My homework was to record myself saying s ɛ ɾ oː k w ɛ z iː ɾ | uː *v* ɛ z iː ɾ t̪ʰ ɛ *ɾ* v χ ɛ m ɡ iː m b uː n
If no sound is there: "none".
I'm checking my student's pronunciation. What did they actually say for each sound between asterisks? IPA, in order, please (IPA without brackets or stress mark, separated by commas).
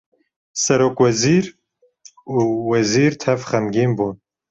w, none